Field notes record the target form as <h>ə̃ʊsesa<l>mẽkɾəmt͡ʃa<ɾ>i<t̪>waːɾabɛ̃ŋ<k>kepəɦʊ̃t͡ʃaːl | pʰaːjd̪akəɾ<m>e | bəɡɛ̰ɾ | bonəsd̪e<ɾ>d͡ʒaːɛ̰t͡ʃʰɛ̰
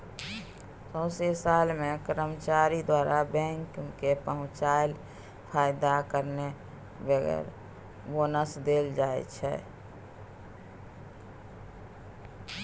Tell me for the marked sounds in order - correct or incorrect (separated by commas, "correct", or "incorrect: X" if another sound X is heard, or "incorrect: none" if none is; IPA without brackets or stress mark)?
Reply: incorrect: s, correct, correct, incorrect: d̪, correct, incorrect: n, incorrect: l